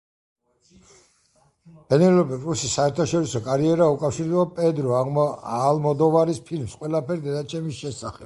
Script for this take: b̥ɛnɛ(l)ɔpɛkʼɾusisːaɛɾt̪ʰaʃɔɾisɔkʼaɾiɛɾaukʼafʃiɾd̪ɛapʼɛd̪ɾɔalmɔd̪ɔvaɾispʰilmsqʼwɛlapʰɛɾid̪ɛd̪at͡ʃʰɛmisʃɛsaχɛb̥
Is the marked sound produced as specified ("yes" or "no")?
yes